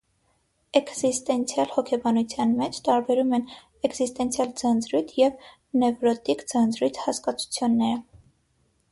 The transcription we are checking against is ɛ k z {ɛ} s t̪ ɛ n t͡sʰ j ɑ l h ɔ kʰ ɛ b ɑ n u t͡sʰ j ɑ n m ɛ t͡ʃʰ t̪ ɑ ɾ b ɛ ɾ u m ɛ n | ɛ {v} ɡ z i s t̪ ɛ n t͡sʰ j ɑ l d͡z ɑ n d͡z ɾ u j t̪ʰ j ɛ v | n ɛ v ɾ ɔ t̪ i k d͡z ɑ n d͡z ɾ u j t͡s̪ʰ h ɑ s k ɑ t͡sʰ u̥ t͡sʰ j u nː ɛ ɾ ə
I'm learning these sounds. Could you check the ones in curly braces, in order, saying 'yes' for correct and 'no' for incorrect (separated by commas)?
no, no